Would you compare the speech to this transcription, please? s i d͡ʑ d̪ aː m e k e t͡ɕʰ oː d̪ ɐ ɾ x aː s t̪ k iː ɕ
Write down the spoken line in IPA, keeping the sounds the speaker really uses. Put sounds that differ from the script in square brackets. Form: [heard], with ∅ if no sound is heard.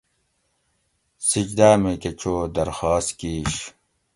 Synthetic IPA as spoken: s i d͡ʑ d̪ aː m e k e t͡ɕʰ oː d̪ ɐ ɾ x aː s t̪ k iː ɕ